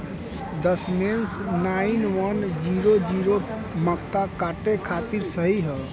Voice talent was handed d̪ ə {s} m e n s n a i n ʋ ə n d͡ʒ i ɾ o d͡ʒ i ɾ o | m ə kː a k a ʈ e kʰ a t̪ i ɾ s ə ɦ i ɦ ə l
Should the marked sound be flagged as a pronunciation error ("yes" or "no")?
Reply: no